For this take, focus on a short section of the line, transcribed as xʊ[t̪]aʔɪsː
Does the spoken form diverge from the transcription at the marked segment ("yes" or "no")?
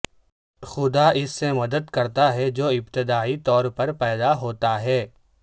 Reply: yes